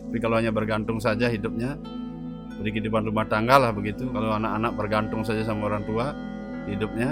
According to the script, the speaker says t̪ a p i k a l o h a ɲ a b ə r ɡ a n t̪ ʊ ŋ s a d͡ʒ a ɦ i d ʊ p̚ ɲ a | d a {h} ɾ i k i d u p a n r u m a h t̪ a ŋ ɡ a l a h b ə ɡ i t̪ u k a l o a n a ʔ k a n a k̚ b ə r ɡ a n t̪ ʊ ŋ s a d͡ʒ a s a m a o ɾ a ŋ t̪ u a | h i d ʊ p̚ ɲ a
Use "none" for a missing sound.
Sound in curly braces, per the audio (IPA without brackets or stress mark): none